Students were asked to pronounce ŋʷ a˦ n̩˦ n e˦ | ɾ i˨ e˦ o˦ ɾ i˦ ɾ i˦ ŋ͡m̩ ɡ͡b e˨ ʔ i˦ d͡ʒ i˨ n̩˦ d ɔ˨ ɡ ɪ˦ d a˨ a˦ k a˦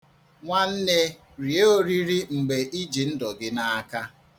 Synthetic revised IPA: ŋʷ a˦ n̩˦ n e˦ | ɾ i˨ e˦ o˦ ɾ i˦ ɾ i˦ ŋ͡m̩ ɡ͡b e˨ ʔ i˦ d͡ʒ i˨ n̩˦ d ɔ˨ ɡ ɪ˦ n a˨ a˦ k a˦